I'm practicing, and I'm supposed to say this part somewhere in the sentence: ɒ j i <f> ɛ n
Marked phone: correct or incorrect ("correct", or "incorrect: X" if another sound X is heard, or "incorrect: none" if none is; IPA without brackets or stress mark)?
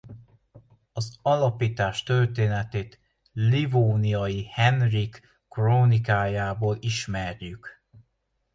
incorrect: h